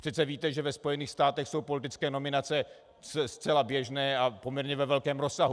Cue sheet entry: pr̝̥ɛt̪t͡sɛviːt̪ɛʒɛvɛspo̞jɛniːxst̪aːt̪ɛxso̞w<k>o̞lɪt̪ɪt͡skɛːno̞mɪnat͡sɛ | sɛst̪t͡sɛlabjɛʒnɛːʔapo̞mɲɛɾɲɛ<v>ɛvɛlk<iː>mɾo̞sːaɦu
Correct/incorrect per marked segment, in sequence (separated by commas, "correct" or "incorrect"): incorrect, correct, incorrect